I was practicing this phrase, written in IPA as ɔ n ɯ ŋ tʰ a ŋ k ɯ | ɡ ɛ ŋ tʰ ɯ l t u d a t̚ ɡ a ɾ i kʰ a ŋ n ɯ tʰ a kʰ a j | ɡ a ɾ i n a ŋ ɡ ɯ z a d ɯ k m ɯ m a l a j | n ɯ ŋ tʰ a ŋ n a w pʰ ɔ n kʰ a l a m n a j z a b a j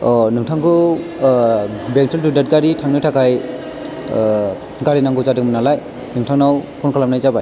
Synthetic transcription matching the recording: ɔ n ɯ ŋ tʰ a ŋ k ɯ | b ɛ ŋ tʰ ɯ l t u d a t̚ ɡ a ɾ i tʰ a ŋ n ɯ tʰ a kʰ a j | ɡ a ɾ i n a ŋ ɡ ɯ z a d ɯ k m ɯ n a l a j | n ɯ ŋ tʰ a ŋ n a w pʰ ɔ n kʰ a l a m n a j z a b a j